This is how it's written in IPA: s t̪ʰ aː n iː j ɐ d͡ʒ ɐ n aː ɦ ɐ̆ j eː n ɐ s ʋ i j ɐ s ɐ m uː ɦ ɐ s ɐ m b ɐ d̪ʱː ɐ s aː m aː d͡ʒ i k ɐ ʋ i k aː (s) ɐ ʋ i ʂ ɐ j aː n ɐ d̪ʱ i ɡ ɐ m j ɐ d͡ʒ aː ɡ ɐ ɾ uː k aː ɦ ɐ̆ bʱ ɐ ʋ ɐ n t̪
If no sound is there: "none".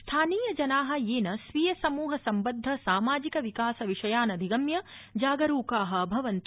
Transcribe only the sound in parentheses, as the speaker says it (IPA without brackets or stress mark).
s